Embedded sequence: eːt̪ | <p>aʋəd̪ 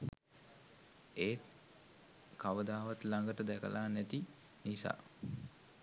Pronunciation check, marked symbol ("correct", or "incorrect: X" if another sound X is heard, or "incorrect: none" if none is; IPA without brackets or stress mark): incorrect: k